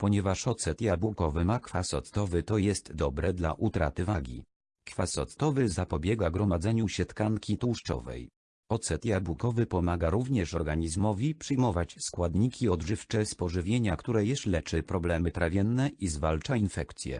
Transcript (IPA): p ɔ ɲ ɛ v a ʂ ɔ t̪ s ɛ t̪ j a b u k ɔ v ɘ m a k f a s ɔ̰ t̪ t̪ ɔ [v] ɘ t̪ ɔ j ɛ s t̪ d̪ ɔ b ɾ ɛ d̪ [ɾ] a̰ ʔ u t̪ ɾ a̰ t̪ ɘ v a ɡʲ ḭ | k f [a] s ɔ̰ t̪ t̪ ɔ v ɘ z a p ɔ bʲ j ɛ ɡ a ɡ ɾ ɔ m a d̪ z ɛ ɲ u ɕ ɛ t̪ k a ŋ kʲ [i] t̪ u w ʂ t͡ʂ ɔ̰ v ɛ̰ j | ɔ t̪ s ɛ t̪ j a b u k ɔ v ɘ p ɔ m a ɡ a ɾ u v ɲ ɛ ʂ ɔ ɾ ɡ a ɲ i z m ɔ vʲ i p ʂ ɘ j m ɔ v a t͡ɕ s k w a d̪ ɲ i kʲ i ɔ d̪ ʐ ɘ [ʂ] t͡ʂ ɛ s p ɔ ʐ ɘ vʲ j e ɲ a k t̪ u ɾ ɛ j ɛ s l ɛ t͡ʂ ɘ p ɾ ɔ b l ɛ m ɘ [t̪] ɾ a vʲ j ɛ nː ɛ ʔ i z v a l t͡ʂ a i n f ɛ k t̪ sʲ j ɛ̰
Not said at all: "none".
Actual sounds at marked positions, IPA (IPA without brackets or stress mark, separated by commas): v, l, a, i, f, t̪